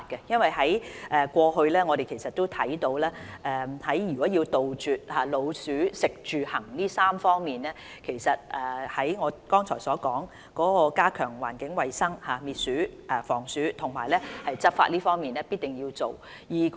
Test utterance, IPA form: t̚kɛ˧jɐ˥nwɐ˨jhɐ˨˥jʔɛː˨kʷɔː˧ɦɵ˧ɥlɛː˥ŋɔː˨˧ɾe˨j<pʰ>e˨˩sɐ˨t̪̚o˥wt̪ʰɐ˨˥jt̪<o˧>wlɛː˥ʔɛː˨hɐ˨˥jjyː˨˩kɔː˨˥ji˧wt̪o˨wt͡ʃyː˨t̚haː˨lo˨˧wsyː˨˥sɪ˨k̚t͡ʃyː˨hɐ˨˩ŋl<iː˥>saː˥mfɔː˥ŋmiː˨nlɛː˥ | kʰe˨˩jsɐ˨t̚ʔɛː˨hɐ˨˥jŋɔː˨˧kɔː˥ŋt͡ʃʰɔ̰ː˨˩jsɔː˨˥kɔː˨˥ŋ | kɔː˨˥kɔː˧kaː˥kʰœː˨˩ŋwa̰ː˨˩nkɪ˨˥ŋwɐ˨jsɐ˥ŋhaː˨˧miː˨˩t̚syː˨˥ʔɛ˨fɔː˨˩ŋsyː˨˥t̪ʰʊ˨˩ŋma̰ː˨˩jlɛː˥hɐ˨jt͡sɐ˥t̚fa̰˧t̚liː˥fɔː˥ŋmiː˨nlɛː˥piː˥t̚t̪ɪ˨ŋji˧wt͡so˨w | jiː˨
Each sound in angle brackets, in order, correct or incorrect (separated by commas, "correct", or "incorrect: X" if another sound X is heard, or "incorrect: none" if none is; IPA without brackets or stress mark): incorrect: kʰ, correct, correct